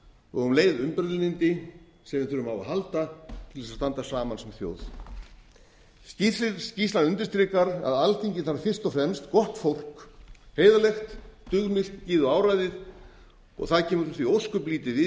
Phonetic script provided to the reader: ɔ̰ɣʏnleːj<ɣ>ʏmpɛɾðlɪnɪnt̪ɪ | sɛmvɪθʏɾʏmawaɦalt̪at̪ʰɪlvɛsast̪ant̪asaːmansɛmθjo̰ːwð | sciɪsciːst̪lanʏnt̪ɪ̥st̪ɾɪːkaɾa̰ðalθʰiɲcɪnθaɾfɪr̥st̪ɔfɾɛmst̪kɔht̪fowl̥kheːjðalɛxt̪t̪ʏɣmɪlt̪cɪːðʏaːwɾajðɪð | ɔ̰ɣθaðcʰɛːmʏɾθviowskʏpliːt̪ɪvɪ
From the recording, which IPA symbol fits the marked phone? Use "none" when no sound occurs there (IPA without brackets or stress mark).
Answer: ð